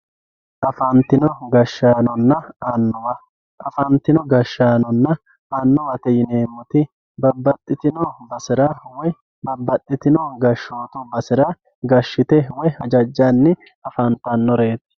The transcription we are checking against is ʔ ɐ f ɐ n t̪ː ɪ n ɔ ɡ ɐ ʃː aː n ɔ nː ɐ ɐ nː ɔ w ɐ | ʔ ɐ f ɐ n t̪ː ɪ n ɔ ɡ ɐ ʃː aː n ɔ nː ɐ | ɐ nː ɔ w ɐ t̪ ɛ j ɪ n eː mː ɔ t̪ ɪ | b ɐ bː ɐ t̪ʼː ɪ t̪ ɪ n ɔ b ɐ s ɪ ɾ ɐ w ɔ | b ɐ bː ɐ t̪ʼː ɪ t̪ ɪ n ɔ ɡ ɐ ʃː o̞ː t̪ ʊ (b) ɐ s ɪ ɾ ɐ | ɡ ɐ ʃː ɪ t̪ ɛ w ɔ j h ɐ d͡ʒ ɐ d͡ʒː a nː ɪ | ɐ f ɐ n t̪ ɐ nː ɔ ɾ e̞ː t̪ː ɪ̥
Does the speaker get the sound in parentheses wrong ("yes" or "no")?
no